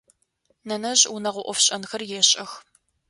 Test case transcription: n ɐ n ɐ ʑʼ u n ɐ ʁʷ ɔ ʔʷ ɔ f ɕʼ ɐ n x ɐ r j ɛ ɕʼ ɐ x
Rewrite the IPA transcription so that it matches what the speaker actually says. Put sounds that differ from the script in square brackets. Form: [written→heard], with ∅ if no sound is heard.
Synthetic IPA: n ɐ n ɐ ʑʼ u n ɐ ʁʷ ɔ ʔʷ ɔ f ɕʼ ɐ n x ɐ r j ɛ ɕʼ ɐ x